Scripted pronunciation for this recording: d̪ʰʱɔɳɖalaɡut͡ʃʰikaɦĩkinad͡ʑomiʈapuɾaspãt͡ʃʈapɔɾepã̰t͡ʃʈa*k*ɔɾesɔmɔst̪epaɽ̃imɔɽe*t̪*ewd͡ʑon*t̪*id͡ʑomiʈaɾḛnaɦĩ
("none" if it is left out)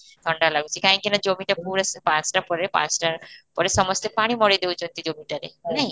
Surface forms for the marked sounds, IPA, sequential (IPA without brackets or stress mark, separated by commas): p, d̪, t̪